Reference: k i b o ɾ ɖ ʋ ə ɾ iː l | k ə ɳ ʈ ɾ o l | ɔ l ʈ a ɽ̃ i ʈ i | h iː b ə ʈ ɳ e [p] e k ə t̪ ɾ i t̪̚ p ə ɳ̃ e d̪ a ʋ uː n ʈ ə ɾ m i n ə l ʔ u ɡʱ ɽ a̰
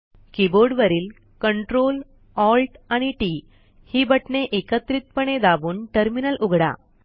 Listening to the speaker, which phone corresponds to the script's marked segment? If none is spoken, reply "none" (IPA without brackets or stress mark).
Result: ʔ